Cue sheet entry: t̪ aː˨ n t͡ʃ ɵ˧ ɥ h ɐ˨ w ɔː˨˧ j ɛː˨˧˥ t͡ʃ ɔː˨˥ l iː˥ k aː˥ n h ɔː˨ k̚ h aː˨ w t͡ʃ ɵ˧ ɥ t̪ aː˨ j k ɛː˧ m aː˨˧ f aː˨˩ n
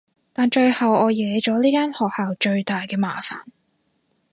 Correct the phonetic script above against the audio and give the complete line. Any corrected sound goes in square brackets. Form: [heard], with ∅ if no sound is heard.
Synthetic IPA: t̪ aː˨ n t͡ʃ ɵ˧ ɥ h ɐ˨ w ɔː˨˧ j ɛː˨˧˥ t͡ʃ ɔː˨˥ l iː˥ k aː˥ n h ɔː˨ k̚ h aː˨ w t͡ʃ ɵ˧ ɥ t̪ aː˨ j k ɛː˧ m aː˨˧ f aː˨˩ n